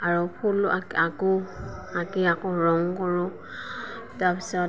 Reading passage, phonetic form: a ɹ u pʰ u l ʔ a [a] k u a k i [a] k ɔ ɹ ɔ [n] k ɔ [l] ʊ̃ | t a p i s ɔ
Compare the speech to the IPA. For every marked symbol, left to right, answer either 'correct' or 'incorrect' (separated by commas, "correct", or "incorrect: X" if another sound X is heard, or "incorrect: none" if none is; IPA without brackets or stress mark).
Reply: correct, correct, incorrect: ŋ, incorrect: ɹ